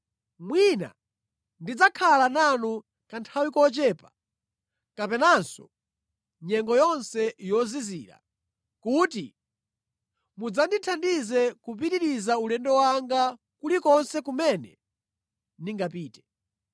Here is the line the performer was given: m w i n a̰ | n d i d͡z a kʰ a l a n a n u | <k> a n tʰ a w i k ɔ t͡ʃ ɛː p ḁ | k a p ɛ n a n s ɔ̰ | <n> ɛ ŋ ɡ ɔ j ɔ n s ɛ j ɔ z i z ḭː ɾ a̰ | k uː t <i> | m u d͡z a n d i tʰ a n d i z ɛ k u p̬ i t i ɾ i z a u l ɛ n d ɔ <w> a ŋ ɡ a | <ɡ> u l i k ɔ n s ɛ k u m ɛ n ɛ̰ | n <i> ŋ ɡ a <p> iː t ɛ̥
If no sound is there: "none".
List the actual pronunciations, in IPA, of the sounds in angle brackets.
k, ɲ, i, w, k, i, p

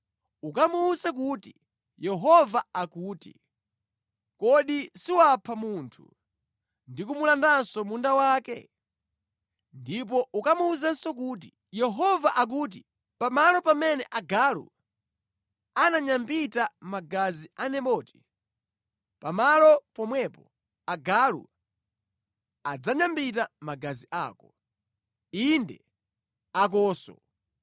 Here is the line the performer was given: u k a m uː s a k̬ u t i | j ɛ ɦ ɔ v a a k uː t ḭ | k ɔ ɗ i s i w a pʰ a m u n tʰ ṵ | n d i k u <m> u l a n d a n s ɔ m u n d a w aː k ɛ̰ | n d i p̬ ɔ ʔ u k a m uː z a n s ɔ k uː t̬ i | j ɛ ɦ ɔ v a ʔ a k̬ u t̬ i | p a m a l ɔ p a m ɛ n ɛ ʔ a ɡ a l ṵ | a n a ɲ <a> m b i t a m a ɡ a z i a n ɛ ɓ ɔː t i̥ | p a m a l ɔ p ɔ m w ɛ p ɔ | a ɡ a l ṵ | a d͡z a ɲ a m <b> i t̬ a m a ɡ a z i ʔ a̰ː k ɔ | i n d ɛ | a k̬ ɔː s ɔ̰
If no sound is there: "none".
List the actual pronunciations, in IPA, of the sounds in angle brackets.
m, a, b

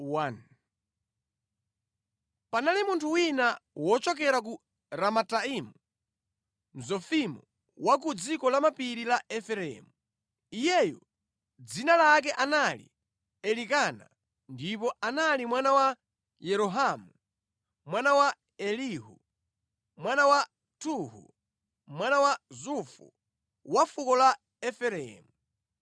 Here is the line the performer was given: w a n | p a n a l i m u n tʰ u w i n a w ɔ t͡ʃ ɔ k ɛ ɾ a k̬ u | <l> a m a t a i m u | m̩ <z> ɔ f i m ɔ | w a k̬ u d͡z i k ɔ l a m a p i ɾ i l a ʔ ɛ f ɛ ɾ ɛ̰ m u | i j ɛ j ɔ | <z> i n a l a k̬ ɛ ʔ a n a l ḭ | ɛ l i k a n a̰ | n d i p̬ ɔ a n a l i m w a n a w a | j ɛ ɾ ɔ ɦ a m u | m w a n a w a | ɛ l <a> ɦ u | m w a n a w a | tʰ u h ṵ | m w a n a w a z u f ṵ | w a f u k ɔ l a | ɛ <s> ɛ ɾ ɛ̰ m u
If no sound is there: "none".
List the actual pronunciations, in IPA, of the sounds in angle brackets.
ɾ, z, d͡z, i, f

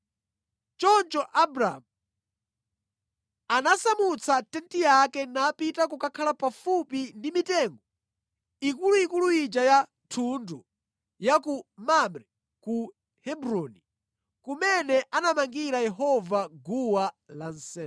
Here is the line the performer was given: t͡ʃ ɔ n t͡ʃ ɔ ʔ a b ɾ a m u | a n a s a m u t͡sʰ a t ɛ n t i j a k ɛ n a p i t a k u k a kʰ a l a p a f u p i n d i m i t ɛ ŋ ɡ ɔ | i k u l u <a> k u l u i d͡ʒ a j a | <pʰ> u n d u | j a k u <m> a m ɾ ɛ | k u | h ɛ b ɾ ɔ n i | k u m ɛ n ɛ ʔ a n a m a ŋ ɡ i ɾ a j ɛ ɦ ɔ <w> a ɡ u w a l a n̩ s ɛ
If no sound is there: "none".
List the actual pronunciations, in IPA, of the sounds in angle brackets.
i, tʰ, m, v

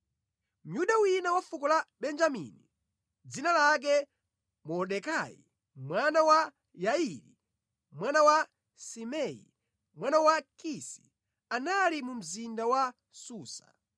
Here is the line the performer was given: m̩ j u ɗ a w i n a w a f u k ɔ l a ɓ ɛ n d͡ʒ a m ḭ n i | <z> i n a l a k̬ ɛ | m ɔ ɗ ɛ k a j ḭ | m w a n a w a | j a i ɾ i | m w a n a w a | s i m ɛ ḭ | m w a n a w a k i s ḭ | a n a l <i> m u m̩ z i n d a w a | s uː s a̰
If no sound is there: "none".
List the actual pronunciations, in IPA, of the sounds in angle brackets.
d͡z, i

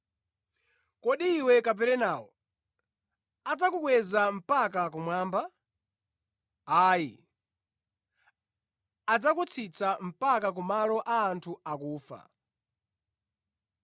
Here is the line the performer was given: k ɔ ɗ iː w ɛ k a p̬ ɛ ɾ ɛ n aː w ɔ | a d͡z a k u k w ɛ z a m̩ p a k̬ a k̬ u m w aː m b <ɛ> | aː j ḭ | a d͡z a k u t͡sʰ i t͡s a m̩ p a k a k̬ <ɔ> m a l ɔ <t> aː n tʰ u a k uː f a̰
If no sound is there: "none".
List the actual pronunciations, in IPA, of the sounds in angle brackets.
a, u, ʔ

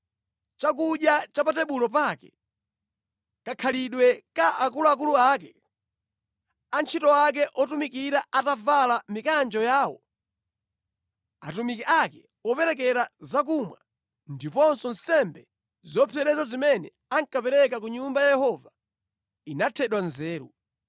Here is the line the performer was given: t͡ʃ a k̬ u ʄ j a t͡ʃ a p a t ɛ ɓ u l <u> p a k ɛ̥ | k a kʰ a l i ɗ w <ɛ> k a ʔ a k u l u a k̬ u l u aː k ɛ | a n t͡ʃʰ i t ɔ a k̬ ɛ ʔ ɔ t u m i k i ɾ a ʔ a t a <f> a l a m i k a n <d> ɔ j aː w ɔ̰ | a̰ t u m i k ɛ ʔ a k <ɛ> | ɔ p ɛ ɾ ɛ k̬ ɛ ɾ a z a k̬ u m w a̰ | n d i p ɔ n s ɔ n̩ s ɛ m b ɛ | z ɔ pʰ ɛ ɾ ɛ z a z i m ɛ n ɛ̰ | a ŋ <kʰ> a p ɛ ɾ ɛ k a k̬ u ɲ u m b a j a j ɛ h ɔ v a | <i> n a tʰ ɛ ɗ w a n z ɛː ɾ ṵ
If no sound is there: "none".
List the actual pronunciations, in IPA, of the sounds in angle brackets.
ɔ, ɛ, v, d͡ʒ, ɛ, k, i

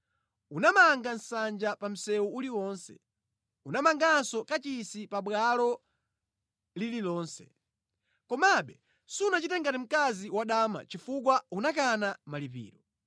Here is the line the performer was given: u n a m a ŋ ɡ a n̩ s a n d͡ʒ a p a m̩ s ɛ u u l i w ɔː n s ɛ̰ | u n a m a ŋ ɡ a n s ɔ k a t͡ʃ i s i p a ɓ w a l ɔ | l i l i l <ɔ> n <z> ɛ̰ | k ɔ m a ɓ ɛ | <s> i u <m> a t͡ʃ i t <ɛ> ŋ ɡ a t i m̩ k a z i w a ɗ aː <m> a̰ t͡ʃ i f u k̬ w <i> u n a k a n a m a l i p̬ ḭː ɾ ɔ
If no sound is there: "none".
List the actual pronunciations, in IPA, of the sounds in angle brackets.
ɔː, s, s, n, ɛ, m, a

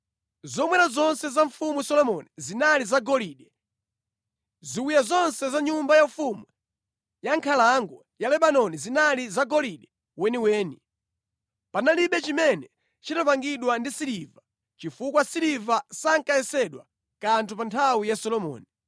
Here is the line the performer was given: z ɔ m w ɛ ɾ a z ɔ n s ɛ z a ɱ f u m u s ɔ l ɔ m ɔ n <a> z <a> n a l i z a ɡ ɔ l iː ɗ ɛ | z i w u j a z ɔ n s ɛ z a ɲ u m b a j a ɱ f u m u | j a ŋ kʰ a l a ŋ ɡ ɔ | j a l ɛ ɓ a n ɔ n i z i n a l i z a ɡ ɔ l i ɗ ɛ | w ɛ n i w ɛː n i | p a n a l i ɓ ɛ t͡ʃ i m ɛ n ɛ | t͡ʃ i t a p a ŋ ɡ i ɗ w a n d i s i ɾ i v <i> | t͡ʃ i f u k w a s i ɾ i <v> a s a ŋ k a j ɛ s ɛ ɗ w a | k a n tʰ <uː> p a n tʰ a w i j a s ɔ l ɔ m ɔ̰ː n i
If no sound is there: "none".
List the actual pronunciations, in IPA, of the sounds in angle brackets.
i, i, a, v, u

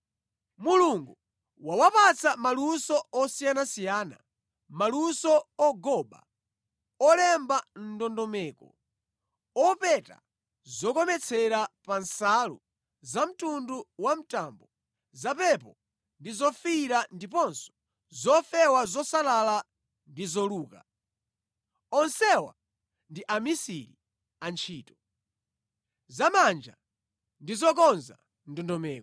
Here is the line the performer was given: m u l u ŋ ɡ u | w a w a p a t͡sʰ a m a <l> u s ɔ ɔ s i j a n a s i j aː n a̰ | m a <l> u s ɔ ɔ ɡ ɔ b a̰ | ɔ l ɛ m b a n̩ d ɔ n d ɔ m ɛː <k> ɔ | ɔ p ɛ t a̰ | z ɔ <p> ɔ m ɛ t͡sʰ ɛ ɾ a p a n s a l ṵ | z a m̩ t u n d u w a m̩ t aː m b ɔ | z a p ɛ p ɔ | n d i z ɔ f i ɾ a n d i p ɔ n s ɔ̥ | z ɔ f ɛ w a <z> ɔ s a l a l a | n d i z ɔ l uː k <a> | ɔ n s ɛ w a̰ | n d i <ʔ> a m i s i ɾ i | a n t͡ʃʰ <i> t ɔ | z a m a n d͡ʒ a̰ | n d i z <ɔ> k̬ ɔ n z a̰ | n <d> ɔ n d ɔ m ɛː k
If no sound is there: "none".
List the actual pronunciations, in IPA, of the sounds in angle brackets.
l, l, k, k, z, a, ʔ, iː, ɔ, d

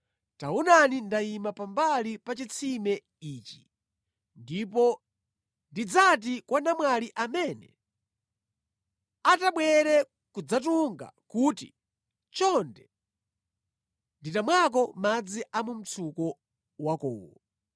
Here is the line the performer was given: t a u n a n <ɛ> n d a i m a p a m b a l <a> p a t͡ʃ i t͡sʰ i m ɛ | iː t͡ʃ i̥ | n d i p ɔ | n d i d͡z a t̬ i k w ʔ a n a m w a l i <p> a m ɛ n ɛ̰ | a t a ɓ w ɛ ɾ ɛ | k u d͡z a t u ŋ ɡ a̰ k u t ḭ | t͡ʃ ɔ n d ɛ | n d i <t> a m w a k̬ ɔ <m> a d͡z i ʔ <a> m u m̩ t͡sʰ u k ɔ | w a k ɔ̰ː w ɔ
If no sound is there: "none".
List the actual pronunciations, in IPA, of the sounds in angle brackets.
i, i, ʔ, t, m, a

